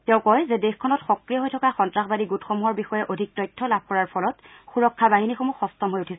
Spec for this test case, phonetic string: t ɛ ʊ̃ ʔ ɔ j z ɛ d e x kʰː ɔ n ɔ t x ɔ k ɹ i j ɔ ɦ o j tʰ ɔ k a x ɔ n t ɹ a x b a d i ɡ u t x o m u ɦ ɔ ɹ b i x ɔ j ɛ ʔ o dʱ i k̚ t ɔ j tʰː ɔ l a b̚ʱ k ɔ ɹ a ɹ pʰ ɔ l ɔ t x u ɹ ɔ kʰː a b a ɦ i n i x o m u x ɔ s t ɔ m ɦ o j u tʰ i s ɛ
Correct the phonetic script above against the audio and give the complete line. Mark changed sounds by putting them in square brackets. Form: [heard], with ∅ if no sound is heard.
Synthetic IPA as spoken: t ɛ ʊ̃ [k] ɔ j z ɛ d e x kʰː ɔ n ɔ t x ɔ k ɹ i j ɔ ɦ o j tʰ ɔ k a x ɔ n t ɹ a x b a d i ɡ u t x o m u ɦ ɔ ɹ b i x ɔ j ɛ ʔ o dʱ i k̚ t ɔ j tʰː ɔ l a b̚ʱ k ɔ ɹ a ɹ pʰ ɔ l ɔ t x u ɹ ɔ kʰː a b a ɦ i n i x o m u x ɔ s t ɔ m ɦ o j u tʰ i s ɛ